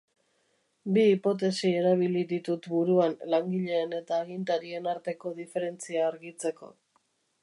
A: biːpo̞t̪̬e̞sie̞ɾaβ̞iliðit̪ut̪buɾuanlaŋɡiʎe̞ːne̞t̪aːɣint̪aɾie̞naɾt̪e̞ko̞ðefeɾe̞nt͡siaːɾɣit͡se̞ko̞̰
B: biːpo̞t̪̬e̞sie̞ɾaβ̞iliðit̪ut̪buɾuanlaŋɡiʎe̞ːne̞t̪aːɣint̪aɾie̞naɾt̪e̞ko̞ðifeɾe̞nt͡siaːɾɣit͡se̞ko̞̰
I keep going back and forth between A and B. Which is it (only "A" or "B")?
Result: B